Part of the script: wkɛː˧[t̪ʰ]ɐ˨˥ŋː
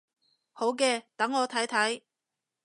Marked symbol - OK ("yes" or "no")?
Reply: no